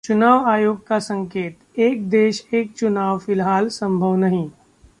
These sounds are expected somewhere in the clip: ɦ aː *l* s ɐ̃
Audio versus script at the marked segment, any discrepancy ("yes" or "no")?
no